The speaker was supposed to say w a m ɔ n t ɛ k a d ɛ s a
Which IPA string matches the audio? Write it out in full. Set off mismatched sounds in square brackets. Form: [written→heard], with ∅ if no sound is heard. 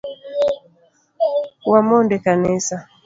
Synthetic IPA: w a m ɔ n [t→d] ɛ k a [d→n] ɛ s a